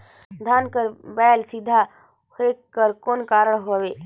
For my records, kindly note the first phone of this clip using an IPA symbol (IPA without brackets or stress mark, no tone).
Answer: d̪ʱ